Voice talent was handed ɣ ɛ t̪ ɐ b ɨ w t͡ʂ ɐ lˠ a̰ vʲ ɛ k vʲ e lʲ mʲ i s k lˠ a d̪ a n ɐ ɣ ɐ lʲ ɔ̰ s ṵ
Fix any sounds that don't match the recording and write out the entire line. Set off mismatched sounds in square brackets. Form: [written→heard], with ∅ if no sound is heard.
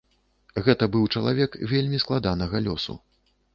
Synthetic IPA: ɣ ɛ t̪ ɐ b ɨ w t͡ʂ ɐ lˠ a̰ vʲ ɛ k vʲ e lʲ mʲ i s k lˠ a d̪ a n ɐ ɣ ɐ lʲ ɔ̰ s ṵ